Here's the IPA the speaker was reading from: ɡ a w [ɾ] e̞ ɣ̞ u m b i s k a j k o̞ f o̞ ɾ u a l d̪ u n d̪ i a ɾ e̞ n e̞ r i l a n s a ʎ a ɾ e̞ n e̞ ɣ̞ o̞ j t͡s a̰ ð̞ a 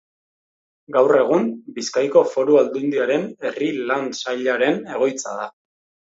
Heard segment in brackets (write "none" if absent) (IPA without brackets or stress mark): r